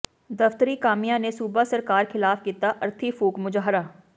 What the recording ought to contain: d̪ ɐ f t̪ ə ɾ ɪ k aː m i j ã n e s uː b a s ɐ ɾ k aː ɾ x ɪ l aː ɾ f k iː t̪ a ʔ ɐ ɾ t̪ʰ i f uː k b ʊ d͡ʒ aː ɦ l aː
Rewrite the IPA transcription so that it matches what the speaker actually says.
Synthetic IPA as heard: d̪ ɐ f t̪ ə ɾ i k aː m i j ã n e s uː b a s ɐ ɾ k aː ɾ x ɪ l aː f k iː t̪ a ʔ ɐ ɾ t̪ʰ i f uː k m ʊ d͡ʒ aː ɦ ɾ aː